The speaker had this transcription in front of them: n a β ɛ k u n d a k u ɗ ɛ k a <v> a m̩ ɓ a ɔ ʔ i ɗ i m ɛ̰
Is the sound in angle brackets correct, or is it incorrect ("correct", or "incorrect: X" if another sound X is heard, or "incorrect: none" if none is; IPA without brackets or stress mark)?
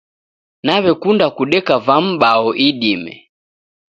correct